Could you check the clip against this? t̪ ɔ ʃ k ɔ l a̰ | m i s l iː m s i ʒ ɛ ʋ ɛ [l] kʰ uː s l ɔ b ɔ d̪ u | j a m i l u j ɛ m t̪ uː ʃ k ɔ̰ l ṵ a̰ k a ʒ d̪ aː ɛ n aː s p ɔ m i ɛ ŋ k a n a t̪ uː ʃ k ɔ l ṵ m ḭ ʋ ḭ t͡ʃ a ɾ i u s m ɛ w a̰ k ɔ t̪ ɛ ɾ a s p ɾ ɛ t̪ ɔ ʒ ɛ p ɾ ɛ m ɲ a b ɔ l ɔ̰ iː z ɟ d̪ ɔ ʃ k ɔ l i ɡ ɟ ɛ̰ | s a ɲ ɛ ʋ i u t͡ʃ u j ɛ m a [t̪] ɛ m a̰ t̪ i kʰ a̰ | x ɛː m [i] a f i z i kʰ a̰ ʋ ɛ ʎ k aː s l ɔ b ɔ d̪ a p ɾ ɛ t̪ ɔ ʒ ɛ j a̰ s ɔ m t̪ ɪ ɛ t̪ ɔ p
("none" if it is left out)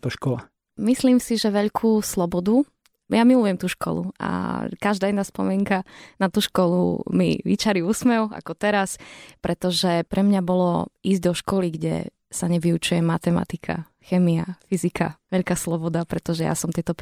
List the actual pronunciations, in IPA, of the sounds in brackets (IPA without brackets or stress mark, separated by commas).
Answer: ʎ, t̪, i